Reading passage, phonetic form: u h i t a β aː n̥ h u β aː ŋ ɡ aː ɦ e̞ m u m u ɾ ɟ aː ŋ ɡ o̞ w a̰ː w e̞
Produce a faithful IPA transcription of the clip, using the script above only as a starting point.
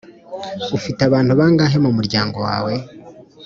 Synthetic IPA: u f i t a β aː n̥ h u β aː ŋ ɡ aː ɦ e̞ m u m u ɾ ɟ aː ŋ ɡ o̞ w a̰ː w e̞